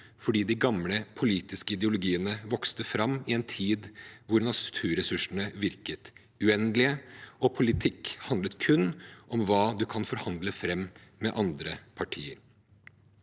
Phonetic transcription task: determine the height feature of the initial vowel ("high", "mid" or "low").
mid